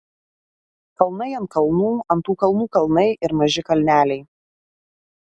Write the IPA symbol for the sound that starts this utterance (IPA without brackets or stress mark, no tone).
k